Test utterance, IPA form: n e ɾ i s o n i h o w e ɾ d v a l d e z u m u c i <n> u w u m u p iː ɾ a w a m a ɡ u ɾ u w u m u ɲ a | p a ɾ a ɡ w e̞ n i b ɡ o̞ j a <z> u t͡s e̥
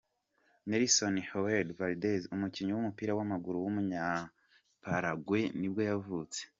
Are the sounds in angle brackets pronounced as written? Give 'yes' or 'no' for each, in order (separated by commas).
no, no